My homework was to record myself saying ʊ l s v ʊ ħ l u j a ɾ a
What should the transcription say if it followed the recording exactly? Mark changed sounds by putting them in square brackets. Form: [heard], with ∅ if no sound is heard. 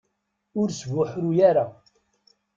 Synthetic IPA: ʊ [ɾ] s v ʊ ħ [ɾ] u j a ɾ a